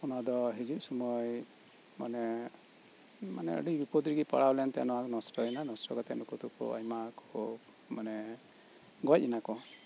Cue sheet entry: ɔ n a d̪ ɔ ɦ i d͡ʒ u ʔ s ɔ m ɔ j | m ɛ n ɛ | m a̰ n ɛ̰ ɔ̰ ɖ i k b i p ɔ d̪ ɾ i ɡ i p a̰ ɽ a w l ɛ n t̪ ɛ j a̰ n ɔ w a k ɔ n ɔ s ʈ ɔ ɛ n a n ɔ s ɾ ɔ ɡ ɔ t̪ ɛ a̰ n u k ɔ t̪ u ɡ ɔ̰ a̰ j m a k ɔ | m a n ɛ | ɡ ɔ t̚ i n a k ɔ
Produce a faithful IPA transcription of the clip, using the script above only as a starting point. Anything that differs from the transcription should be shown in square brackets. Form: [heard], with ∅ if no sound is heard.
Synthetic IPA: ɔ n a d̪ ɔ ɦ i d͡ʒ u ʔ s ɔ m ɔ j | m [a] n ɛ | m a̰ n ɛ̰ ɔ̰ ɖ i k b i p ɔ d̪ ɾ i ɡ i p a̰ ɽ a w l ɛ n t̪ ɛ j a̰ n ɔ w a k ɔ n ɔ s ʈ ɔ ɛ n a n ɔ s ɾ ɔ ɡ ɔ t̪ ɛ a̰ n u k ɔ t̪ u [k] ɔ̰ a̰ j m a k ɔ | m a n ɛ | ɡ ɔ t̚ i n a k ɔ